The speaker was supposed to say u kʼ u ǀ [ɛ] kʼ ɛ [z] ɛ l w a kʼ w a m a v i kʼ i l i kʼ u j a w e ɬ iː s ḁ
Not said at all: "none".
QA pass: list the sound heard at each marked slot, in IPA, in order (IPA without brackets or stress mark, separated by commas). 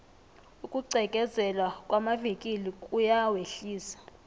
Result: ɛ, z